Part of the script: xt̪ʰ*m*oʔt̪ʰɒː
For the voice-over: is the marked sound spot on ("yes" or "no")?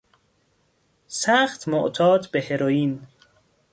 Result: yes